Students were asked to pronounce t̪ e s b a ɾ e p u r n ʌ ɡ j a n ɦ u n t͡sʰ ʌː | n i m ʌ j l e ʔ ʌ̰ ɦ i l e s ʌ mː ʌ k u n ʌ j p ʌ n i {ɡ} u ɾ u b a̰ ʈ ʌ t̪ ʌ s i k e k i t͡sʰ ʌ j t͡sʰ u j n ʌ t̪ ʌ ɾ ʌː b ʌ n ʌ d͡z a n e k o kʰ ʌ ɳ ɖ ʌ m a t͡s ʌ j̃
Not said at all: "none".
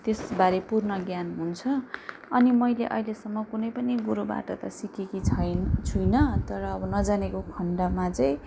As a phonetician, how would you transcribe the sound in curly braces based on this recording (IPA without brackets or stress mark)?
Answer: ɡ